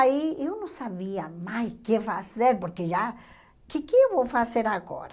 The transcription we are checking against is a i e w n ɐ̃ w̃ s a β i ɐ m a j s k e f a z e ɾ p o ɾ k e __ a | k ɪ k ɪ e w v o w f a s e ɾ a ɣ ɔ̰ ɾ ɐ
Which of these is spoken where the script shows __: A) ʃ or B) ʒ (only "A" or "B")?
B